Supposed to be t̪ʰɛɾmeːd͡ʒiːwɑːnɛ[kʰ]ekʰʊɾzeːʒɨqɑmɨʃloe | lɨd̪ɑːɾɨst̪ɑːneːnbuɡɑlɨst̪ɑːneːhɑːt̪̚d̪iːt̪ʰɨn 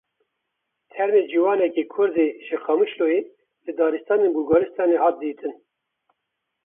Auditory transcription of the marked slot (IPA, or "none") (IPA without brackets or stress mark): k